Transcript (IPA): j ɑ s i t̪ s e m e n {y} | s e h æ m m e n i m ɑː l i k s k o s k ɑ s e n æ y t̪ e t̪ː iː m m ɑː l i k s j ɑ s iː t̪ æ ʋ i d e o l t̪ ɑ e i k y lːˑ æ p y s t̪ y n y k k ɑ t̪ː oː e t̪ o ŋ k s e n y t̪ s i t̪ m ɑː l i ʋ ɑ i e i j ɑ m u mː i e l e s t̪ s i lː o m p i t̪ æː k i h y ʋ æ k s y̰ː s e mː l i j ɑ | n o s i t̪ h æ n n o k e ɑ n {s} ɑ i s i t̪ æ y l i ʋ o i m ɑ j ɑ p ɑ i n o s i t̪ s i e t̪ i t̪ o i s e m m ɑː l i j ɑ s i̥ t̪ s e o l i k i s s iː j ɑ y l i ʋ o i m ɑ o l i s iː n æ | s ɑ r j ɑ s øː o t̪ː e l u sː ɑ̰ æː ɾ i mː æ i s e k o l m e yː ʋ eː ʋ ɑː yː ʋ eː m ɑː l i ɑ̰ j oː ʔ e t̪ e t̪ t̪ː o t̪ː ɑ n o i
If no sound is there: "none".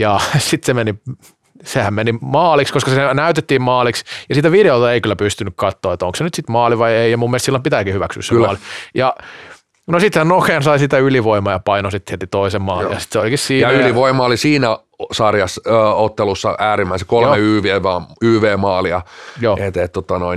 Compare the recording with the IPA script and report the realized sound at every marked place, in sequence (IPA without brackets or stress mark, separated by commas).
i, s